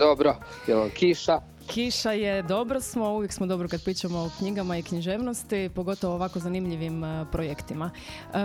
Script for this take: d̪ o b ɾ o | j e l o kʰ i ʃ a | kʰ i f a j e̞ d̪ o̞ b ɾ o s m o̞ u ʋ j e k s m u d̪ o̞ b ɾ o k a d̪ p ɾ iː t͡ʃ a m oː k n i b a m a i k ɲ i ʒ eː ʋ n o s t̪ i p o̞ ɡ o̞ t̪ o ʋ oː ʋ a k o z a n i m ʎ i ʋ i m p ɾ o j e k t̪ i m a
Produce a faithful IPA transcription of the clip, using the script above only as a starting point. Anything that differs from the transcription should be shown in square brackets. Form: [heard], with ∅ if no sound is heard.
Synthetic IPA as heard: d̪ o b ɾ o | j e l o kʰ i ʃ a | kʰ i [ʃ] a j e̞ d̪ o̞ b ɾ o s m o̞ u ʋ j e k s m [o] d̪ o̞ b ɾ o k a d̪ p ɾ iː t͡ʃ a m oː k [ɲ] i [ɡ] a m a i k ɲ i ʒ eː ʋ n o s t̪ i p o̞ ɡ o̞ t̪ o ʋ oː ʋ a k o z a n i m ʎ i ʋ i m p ɾ o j e k t̪ i m a